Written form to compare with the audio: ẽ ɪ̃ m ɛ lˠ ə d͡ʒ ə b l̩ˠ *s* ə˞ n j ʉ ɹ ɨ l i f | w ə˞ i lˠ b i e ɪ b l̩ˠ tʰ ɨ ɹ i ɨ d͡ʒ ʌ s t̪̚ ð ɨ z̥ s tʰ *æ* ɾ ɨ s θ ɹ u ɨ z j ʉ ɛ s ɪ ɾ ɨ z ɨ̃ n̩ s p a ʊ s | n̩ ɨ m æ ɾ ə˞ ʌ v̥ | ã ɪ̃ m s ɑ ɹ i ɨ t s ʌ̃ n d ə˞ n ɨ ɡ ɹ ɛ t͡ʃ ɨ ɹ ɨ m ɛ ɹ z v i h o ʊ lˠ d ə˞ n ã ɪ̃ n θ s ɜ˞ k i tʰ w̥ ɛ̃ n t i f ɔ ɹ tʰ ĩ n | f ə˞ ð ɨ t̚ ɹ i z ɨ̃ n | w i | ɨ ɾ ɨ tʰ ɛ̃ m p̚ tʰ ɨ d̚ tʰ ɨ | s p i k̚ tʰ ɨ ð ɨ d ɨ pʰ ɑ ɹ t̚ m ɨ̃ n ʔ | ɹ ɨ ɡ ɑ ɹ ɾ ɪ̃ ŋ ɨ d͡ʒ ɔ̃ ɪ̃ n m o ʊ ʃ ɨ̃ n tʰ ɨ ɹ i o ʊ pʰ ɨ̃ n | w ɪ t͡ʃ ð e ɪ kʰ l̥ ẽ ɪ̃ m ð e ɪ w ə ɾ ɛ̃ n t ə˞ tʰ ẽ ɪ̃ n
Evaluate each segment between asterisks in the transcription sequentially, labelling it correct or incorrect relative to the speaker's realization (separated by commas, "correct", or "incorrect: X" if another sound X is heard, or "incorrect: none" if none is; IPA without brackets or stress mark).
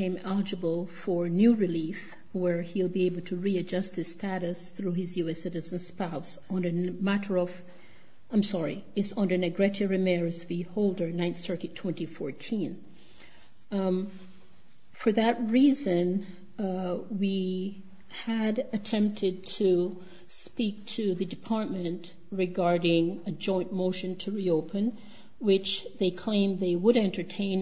incorrect: f, correct